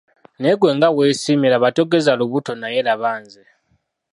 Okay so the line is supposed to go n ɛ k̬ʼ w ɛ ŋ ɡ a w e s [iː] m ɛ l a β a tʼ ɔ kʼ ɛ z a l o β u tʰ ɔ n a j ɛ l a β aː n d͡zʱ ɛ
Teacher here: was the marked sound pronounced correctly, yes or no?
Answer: no